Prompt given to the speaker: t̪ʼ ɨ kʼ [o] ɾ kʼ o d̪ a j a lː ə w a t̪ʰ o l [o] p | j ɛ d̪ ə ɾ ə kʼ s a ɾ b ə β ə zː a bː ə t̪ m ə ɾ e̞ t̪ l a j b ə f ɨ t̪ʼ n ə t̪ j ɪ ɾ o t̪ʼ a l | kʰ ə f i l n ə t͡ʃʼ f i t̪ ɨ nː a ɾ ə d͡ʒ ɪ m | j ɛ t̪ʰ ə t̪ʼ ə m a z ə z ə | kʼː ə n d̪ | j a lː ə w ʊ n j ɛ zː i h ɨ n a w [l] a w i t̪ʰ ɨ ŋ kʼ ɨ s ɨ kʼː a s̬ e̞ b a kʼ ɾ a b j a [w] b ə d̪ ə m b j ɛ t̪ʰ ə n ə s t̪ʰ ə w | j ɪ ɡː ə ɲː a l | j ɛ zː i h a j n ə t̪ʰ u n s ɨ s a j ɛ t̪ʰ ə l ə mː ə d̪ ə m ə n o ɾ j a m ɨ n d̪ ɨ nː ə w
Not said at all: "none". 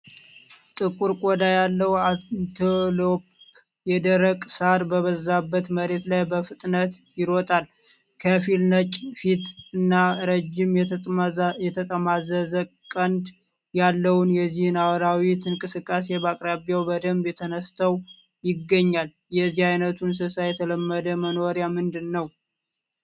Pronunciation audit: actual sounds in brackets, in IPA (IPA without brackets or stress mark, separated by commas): u, o, ɾ, w